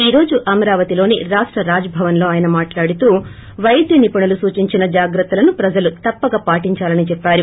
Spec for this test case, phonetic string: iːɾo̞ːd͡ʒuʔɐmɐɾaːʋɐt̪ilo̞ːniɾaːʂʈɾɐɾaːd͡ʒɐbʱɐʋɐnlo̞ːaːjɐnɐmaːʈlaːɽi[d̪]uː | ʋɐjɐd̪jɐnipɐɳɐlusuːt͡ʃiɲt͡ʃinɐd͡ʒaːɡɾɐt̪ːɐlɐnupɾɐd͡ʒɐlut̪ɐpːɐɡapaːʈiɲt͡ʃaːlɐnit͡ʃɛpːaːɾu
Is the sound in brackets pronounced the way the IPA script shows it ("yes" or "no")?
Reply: no